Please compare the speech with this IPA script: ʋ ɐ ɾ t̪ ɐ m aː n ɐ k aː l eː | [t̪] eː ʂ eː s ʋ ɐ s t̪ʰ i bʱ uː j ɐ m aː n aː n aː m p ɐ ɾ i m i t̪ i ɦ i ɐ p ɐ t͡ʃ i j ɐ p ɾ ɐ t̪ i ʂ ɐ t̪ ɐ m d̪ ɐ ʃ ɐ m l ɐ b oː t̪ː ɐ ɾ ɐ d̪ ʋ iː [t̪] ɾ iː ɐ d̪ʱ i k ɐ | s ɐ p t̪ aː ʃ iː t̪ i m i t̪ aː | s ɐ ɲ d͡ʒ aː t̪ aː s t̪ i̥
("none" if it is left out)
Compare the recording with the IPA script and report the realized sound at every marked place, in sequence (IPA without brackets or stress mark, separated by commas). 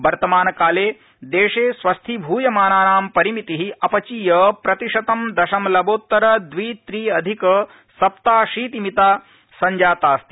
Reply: d̪, t̪